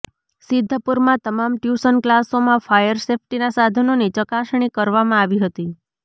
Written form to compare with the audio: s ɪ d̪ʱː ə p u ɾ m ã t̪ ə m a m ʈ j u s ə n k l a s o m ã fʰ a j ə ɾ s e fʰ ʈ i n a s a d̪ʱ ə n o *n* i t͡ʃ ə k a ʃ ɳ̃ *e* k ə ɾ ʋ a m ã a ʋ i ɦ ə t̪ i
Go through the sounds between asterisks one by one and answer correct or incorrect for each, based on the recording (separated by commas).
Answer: correct, incorrect